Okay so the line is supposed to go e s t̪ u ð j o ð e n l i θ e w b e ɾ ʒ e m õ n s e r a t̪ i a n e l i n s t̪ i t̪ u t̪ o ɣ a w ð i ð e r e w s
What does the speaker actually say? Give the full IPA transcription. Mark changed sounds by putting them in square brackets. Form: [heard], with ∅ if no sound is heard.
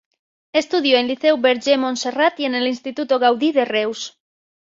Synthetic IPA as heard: e s t̪ u ð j o [∅] e n l i θ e w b e ɾ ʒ e m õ n s e r a t̪ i [e] n e l i n s t̪ i t̪ u t̪ o ɣ a w ð i ð e r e w s